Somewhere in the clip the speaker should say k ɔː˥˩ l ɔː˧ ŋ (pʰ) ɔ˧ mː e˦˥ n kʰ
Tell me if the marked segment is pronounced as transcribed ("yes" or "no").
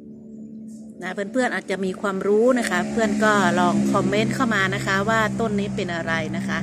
no